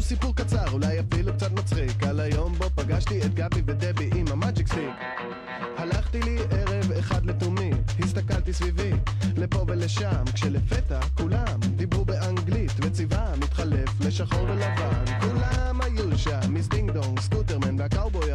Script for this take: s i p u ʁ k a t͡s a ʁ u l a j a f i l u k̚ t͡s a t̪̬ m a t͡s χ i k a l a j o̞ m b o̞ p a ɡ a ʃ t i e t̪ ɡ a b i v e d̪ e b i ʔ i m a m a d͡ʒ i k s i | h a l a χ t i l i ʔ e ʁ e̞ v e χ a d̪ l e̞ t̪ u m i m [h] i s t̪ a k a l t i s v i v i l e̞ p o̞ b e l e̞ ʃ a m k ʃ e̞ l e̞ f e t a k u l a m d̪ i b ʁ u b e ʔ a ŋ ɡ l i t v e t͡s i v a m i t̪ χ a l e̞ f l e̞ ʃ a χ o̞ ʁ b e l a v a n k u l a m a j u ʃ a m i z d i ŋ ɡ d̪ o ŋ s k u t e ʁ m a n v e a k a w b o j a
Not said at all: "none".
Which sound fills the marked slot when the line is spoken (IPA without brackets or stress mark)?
h